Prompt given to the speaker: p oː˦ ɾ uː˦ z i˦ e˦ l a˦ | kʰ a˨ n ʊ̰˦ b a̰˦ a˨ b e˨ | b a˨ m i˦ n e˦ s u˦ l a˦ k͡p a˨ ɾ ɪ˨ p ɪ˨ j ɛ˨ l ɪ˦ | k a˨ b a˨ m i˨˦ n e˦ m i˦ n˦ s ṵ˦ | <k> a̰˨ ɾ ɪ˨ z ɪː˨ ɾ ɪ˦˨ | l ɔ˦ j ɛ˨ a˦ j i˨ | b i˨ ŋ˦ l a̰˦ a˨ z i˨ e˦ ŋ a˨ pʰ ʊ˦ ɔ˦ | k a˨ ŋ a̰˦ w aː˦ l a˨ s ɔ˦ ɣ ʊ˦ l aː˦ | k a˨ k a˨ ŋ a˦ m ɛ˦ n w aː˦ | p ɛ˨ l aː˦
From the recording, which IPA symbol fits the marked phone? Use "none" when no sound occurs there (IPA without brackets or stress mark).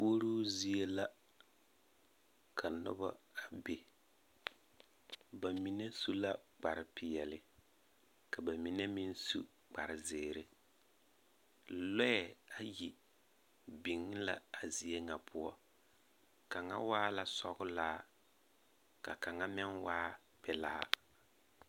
k͡p